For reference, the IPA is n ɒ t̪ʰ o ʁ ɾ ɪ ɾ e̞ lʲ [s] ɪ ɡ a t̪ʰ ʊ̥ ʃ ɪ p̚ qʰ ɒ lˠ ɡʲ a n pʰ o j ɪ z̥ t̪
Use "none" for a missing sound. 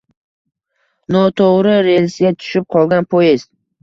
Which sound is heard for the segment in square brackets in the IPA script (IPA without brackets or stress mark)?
s